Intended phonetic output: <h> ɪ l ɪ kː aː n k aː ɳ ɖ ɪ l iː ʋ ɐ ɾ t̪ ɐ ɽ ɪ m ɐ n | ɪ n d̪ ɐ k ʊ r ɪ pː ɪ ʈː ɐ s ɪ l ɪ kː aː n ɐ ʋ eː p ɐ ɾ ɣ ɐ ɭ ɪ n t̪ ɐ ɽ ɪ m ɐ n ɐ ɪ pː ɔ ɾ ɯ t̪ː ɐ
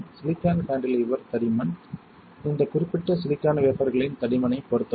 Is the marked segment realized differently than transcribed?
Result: yes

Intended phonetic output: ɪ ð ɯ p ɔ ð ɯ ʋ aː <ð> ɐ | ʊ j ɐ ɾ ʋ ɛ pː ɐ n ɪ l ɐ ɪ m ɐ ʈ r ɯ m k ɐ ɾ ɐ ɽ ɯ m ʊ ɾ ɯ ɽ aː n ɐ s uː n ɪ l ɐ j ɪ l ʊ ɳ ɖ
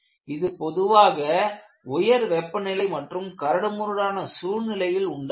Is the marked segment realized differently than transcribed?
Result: yes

